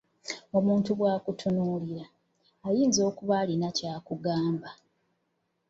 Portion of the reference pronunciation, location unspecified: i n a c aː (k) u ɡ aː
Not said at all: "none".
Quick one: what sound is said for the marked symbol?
k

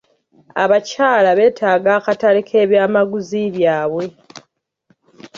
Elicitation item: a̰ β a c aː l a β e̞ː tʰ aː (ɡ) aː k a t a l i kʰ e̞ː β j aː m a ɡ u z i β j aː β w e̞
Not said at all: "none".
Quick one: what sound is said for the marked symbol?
ɡ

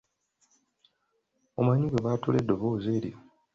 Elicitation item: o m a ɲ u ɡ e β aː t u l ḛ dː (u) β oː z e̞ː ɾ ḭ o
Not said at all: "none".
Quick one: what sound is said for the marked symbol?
o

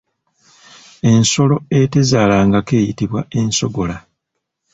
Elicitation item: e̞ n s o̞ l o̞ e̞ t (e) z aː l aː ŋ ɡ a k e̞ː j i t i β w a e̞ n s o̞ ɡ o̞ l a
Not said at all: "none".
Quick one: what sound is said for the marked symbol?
e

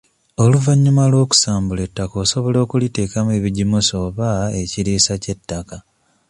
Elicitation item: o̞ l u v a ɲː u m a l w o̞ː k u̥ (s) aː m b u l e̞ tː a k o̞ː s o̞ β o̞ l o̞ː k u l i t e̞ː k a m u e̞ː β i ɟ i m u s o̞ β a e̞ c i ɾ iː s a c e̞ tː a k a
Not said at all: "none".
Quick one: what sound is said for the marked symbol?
s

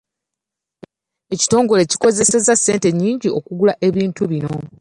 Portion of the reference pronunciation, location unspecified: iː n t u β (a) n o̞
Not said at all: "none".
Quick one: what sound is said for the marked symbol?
i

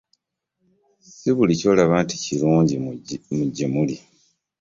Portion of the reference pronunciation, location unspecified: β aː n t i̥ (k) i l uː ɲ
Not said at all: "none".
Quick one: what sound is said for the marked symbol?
c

